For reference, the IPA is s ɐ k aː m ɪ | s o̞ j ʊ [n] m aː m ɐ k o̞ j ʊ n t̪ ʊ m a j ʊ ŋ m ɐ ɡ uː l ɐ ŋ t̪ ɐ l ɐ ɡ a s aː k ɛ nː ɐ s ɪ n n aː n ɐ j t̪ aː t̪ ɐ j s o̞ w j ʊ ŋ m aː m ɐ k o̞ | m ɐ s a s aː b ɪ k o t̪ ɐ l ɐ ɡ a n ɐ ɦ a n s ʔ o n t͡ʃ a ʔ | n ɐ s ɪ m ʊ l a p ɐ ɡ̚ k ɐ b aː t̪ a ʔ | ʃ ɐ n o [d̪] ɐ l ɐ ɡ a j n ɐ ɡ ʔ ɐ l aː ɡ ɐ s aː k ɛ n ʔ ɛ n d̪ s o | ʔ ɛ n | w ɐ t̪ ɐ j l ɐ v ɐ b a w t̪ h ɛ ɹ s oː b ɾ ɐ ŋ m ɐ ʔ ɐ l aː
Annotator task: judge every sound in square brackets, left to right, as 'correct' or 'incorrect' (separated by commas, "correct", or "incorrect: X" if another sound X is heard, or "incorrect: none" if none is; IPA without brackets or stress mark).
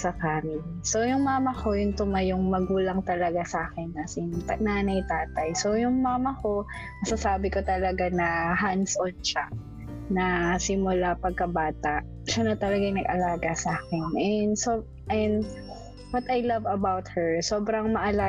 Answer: incorrect: ŋ, incorrect: t̪